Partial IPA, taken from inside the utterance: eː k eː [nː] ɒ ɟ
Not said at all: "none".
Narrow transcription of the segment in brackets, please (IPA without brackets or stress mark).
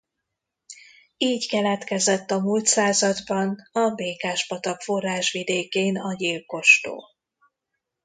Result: n